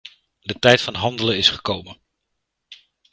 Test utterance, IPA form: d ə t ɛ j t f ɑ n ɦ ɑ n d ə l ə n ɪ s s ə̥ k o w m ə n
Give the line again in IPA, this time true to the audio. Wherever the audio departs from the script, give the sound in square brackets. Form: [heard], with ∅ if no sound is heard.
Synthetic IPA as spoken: d ə t ɛ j t f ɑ n ɦ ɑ n d ə l ə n ɪ s [χ] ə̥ k o w m ə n